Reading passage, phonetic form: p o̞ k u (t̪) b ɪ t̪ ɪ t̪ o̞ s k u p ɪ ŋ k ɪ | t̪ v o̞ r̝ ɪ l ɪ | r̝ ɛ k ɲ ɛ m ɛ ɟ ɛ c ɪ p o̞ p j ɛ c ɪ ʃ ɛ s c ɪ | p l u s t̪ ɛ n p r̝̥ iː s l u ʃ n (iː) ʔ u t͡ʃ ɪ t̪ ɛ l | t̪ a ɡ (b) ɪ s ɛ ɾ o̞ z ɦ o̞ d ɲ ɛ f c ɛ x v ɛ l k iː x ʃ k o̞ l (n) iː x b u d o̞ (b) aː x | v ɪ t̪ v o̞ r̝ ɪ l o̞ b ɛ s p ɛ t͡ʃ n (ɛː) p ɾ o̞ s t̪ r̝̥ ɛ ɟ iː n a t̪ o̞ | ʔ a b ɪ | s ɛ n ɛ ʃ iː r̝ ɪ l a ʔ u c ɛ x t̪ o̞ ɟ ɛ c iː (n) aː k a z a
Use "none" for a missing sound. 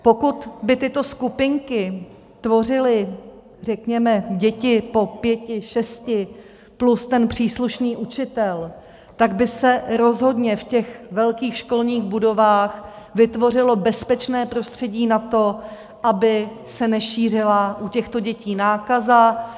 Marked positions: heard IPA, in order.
t̪, iː, b, ɲ, v, ɛː, n

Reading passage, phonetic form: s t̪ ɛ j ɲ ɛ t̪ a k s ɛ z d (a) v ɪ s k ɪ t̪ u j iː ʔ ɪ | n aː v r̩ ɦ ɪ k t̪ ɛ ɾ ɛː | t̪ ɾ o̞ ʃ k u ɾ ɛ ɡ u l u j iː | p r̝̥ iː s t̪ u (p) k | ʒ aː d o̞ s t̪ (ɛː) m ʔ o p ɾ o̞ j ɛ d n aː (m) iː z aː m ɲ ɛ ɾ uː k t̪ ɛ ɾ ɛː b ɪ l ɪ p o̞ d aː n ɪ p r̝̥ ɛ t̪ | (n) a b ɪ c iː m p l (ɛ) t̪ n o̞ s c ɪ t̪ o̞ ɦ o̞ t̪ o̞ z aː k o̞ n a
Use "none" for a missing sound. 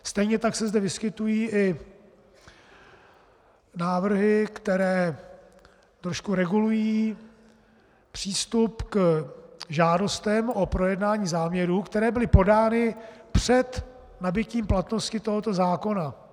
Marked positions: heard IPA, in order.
ɛ, p, ɛ, ɲ, n, a

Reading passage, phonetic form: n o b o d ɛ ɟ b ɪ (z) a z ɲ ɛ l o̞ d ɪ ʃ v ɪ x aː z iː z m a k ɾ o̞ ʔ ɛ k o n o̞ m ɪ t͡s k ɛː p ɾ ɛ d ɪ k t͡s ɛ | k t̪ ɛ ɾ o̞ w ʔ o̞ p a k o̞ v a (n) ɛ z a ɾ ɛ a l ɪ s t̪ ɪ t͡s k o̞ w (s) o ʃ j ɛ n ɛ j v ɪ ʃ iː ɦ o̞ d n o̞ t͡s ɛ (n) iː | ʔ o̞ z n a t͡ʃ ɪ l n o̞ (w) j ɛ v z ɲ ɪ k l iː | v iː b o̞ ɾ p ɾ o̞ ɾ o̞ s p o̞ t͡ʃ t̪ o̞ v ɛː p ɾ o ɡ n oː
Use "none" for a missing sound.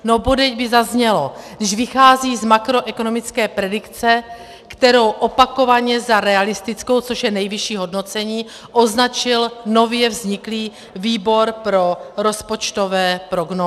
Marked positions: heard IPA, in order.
z, ɲ, t͡s, ɲ, v

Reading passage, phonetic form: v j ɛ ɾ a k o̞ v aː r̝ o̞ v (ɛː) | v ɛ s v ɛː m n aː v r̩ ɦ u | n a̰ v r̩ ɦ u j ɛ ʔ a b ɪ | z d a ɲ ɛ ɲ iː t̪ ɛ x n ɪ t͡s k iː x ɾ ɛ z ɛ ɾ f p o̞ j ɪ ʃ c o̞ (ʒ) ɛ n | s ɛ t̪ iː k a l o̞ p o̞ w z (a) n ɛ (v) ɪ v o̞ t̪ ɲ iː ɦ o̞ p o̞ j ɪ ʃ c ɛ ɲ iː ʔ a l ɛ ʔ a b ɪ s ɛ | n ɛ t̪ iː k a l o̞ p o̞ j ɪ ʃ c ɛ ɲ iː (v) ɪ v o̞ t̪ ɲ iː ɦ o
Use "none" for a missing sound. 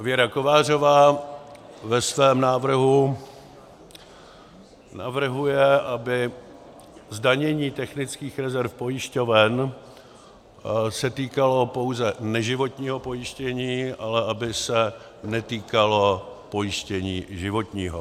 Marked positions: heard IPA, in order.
aː, v, ɛ, ʒ, ʒ

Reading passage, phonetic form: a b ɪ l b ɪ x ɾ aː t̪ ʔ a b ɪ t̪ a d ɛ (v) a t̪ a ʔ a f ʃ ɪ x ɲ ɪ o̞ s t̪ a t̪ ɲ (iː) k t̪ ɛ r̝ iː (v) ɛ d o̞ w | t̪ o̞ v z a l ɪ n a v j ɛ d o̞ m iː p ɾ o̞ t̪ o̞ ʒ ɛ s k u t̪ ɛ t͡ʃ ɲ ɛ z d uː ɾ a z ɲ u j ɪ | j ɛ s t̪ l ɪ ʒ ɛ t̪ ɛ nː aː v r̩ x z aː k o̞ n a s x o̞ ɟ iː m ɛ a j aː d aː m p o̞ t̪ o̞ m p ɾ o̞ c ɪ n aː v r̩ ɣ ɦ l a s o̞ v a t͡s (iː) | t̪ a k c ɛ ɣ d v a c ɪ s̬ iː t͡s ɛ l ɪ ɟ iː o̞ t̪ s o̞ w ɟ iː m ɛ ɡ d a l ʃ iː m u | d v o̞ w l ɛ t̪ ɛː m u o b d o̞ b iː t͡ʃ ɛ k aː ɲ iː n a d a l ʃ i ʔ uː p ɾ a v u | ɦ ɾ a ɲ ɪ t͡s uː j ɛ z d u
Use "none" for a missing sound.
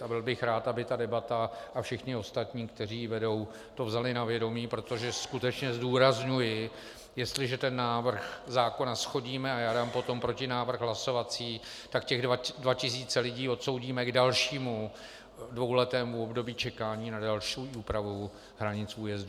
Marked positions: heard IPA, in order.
b, iː, v, iː

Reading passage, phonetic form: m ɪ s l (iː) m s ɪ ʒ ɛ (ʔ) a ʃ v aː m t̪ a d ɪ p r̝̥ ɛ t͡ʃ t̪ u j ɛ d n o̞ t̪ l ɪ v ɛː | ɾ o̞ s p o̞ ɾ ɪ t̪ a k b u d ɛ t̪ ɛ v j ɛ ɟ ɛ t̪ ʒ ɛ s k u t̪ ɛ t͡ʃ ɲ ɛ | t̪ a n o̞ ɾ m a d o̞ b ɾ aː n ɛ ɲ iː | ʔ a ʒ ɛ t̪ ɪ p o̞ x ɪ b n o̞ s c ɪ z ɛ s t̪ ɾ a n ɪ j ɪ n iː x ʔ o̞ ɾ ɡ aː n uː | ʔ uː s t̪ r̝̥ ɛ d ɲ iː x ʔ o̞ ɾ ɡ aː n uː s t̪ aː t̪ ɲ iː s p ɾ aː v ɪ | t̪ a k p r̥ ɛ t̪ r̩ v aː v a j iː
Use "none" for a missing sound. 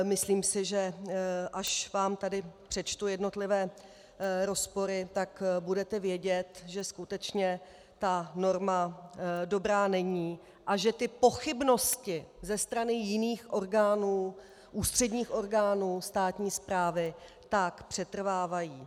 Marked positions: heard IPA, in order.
iː, ʔ

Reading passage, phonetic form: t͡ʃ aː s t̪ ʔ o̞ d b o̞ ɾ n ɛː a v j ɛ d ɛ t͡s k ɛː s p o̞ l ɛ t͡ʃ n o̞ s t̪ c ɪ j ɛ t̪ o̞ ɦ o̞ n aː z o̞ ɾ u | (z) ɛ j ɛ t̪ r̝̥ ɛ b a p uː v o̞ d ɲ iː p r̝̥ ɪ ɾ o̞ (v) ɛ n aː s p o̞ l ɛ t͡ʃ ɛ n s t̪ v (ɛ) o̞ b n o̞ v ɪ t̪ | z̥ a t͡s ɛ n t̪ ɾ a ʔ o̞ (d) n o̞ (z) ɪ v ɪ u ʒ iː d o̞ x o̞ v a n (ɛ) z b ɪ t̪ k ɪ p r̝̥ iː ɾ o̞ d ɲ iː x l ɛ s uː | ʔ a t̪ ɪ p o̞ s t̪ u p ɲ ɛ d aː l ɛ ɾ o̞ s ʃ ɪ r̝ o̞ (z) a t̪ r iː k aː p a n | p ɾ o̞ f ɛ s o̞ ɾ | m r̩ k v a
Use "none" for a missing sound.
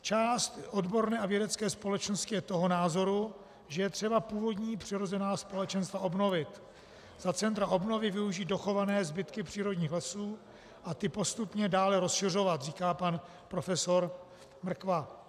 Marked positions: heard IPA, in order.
ʒ, z, a, b, v, ɛː, v

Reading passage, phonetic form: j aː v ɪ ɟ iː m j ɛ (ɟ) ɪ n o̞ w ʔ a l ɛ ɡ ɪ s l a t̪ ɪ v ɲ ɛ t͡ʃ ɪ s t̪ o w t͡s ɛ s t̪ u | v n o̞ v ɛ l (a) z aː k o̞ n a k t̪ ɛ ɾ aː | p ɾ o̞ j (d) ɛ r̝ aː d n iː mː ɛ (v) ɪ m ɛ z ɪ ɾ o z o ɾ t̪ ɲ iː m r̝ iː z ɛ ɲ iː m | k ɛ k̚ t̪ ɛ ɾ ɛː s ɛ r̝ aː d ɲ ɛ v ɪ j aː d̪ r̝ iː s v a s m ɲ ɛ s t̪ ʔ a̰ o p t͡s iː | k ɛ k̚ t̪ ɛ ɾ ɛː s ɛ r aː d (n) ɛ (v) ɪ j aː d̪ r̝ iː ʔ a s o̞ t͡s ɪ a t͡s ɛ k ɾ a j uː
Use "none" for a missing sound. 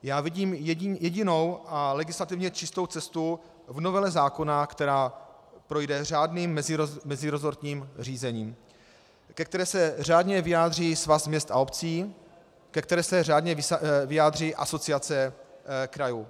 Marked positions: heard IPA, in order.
ɟ, ɛ, d, z, ɲ, v

